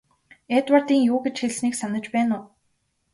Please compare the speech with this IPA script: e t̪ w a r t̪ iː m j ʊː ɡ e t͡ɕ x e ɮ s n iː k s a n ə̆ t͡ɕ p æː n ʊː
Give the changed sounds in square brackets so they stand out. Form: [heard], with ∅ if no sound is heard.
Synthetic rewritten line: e t̪ w a r t̪ iː [ŋ] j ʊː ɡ e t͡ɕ x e ɮ s n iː k s a n ə̆ t͡ɕ p æː n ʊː